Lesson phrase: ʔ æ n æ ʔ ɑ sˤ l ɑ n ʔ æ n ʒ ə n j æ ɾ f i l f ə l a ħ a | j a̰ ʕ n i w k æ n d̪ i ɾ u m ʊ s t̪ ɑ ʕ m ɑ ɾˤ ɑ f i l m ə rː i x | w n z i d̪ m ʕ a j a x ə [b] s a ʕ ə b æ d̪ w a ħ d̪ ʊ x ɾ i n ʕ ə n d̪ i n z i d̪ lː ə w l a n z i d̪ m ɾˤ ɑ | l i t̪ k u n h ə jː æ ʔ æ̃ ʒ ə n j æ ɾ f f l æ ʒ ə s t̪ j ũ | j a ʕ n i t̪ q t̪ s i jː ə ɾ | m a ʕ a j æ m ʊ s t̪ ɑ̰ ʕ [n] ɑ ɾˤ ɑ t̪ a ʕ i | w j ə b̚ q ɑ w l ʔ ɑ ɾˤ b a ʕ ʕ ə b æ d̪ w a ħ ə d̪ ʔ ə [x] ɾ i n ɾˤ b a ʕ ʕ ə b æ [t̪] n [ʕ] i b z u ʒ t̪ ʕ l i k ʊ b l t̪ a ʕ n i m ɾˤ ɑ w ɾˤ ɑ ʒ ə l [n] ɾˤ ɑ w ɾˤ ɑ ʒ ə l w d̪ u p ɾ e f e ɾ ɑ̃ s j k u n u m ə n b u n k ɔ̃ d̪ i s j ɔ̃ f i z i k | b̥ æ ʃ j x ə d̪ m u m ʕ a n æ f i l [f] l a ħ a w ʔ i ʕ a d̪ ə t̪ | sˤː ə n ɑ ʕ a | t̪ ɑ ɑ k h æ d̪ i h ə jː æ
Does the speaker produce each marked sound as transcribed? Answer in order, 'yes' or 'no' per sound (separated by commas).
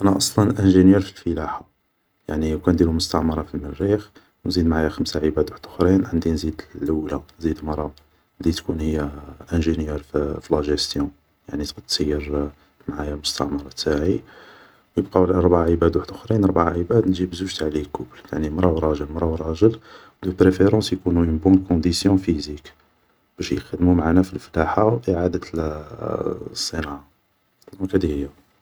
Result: no, no, yes, no, no, no, yes